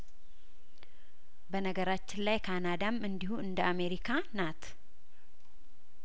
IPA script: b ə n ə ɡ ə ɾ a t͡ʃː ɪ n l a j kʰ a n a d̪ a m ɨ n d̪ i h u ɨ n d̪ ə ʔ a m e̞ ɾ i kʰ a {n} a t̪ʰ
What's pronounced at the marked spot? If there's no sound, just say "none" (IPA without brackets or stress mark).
n